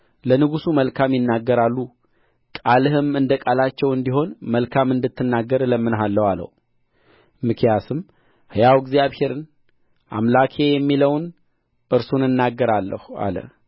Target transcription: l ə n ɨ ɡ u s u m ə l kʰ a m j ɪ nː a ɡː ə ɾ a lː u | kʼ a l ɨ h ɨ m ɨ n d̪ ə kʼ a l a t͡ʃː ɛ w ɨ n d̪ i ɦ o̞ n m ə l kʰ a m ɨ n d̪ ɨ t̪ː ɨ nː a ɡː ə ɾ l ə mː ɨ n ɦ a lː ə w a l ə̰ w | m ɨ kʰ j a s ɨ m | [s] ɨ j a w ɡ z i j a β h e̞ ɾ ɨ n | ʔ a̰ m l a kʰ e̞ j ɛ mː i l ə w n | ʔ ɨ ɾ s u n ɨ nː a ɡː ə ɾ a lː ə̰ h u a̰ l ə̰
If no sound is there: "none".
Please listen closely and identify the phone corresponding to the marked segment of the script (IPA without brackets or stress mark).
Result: h